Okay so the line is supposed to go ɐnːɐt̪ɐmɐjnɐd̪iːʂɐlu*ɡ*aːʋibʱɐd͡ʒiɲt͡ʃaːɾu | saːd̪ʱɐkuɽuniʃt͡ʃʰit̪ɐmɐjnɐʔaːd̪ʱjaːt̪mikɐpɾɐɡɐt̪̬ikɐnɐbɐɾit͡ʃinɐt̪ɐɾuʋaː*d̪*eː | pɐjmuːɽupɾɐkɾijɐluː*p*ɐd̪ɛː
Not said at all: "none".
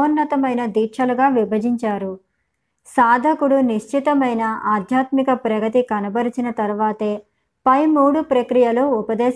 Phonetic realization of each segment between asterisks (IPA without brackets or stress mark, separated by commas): ɡ, t̪, p